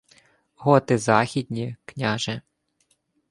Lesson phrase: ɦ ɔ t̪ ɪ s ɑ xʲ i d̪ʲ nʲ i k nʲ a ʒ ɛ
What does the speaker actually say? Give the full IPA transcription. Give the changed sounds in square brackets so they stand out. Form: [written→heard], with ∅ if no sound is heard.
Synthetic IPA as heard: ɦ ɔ t̪ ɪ [s→z] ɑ xʲ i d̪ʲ nʲ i k nʲ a ʒ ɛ